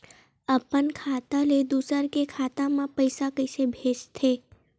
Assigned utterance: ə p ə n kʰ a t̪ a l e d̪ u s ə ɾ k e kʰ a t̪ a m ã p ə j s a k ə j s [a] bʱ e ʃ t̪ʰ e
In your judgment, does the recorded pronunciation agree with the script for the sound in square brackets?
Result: no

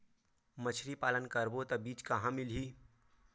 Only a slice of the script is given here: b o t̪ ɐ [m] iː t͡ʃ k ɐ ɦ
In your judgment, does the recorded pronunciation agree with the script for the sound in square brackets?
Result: no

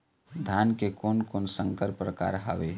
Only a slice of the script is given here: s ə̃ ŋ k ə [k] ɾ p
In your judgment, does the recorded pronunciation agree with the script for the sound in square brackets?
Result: no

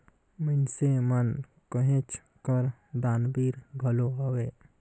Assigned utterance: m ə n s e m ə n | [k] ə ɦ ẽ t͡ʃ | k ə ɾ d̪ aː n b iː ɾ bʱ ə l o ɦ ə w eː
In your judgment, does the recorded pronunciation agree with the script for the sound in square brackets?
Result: yes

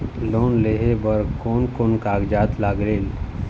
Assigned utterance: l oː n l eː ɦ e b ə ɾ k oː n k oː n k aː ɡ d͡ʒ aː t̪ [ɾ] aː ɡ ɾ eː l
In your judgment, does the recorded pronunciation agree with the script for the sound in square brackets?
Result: no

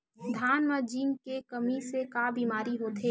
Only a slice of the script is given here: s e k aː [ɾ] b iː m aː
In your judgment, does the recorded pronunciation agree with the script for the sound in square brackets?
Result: no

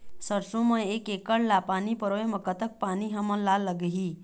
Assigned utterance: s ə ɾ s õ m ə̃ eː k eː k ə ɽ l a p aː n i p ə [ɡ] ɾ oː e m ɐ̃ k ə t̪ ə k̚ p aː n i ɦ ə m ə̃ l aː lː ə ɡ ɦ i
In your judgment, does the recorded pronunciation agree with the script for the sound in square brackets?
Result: no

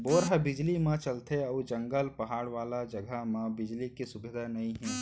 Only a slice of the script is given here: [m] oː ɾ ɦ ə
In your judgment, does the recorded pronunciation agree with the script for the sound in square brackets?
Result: no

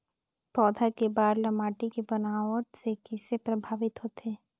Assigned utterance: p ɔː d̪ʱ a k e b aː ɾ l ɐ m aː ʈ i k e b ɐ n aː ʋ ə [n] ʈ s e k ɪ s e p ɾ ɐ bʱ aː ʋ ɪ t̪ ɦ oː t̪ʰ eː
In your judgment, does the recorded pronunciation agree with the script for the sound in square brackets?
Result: no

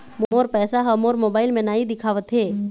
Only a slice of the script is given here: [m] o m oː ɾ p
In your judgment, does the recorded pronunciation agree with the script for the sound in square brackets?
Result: yes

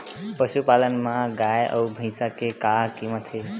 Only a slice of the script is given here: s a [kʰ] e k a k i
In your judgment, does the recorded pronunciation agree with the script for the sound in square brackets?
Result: no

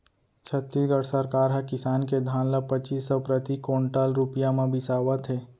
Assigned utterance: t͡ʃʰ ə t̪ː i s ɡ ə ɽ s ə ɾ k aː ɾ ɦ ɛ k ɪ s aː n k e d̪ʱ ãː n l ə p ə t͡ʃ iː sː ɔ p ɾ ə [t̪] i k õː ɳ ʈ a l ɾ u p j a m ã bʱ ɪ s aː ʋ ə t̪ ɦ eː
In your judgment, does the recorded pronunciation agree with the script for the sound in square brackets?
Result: yes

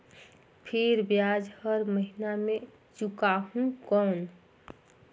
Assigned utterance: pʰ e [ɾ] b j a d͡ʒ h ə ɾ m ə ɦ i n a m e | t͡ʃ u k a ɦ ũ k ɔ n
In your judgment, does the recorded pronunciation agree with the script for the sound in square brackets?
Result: yes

